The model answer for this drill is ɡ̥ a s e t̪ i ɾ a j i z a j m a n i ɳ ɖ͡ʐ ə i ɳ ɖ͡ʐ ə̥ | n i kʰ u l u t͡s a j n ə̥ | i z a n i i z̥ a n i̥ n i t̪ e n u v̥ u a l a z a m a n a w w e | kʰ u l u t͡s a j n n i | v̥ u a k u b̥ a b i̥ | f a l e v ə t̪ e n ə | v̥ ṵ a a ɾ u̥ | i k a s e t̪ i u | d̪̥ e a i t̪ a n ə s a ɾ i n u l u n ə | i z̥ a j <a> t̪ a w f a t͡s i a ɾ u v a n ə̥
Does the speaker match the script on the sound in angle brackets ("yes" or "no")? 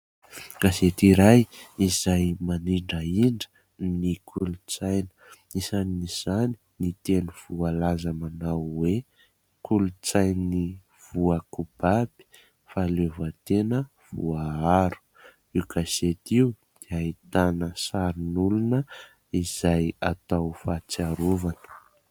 yes